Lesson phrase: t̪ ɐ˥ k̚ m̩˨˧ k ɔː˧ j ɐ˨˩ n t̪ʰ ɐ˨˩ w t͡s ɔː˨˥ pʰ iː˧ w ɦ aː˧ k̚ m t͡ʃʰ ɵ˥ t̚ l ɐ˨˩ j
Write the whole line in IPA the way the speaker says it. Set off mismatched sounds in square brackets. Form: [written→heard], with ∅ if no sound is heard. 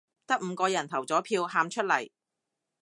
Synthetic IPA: t̪ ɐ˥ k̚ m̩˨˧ k ɔː˧ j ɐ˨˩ n t̪ʰ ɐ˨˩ w t͡s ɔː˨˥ pʰ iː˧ w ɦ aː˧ [k̚→∅] m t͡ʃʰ ɵ˥ t̚ l ɐ˨˩ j